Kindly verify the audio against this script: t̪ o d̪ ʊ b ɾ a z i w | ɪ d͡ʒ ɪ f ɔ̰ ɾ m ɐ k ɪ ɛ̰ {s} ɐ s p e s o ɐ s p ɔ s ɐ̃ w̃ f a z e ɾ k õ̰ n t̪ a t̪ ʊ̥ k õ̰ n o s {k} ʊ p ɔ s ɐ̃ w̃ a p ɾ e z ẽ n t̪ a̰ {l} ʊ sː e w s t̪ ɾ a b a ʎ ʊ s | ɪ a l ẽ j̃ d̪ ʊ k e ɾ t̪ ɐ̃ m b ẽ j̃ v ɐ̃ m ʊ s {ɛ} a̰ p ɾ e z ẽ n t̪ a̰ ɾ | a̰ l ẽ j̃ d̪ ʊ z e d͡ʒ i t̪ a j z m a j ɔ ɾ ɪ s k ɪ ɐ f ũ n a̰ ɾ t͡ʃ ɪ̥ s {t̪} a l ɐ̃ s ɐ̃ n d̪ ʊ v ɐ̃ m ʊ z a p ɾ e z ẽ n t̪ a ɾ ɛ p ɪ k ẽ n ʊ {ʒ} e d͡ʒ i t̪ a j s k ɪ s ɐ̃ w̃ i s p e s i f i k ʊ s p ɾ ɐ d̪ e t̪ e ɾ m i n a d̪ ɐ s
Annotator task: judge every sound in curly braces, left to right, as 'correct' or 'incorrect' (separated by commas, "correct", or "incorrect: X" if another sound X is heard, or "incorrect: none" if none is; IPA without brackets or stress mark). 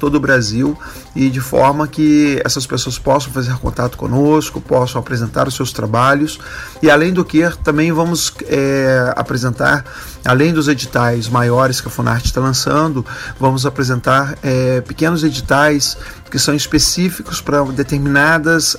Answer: correct, correct, incorrect: ɾ, correct, correct, incorrect: z